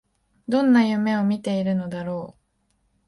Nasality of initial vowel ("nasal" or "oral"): nasal